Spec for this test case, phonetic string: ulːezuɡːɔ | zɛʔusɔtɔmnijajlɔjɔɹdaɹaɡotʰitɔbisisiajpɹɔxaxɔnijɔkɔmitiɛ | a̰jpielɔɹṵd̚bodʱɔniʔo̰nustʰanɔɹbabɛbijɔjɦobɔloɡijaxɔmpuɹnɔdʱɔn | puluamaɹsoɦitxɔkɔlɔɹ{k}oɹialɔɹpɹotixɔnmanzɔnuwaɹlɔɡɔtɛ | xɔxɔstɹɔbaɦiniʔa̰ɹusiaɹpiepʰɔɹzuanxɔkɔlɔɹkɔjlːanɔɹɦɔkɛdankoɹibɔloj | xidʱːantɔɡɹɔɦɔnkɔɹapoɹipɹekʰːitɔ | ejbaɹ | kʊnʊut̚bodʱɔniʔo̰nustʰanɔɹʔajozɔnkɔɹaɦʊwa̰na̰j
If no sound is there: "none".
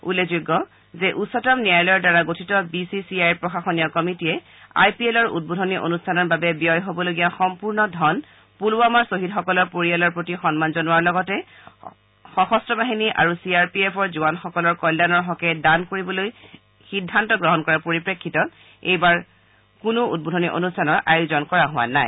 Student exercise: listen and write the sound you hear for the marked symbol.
p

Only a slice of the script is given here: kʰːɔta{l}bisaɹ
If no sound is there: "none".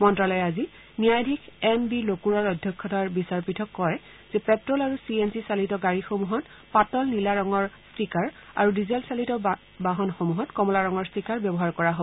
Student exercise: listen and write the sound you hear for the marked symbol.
ɹ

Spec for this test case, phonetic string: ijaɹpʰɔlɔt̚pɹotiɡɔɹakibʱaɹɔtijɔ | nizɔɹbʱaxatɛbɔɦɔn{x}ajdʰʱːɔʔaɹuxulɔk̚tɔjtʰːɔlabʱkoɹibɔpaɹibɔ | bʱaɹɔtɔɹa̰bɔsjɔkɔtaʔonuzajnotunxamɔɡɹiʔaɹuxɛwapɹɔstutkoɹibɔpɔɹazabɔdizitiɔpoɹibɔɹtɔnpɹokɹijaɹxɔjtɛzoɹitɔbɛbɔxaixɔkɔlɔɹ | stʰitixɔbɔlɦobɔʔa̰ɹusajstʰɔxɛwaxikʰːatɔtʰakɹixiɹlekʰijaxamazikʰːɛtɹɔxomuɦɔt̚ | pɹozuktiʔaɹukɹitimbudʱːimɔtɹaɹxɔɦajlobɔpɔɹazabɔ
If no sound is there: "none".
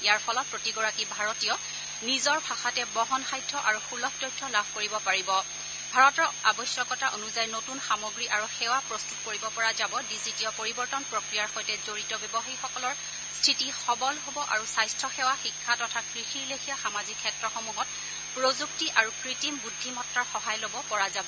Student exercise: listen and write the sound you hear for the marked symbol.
x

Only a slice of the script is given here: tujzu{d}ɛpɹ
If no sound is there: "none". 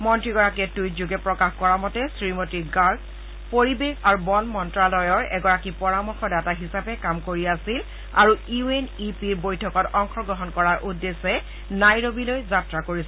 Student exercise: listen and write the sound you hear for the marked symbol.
ɡ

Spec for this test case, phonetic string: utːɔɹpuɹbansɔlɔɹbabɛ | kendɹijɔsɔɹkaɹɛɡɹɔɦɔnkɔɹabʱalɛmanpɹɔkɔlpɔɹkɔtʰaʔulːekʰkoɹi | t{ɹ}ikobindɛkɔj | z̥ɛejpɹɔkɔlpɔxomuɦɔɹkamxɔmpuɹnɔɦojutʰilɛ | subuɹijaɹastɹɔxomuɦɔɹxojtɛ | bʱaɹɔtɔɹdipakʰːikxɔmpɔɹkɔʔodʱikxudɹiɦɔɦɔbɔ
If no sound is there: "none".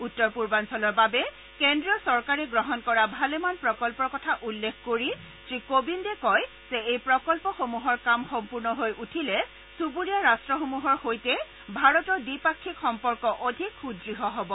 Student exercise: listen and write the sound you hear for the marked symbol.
ɹ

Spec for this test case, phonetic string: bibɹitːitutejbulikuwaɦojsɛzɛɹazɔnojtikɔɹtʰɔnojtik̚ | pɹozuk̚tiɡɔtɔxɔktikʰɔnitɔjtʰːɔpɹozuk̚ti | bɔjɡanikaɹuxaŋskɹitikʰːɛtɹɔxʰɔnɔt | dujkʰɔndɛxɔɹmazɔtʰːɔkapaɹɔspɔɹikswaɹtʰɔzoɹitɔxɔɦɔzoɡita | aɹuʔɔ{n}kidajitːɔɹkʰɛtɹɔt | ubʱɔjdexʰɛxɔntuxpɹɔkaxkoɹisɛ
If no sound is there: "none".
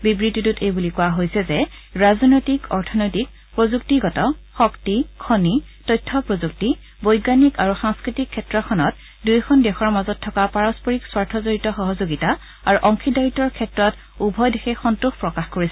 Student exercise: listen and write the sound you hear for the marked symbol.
ŋ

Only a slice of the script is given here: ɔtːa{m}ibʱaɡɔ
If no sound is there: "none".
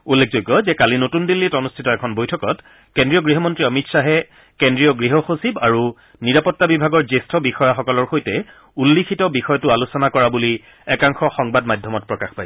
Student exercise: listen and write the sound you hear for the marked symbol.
b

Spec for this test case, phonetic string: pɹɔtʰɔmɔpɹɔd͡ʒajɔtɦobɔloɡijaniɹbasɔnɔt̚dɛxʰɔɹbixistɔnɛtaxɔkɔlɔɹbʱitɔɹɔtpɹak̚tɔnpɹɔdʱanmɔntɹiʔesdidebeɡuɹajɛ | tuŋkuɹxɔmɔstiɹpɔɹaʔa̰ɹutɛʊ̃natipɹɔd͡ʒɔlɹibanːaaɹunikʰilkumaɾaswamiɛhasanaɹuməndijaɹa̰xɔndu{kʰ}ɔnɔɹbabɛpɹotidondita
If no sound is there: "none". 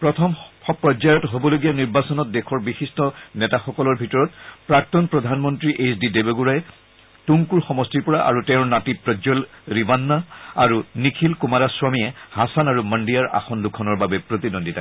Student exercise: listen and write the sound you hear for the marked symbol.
kʰ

